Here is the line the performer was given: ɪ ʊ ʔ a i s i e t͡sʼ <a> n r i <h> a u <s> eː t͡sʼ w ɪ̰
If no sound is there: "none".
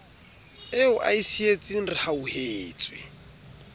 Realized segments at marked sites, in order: i, h, h

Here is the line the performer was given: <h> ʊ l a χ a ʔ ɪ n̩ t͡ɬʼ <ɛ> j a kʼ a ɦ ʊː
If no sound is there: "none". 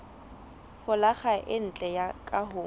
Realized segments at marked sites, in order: f, ɛ

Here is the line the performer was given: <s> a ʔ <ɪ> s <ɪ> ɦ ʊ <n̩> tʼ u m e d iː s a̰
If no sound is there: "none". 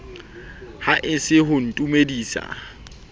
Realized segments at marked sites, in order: h, ɪ, ɪ, n̩

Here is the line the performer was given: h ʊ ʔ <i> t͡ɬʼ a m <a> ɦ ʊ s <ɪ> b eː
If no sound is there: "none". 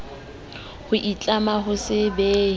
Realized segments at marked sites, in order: i, a, ɪ

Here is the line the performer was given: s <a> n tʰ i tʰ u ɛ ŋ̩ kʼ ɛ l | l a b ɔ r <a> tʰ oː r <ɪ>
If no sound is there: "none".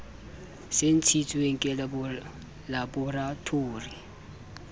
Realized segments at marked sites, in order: e, a, i

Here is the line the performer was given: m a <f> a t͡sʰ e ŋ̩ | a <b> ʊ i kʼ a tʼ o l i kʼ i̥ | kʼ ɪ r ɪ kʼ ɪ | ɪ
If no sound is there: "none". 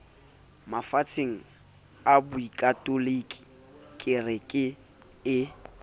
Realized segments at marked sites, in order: f, b

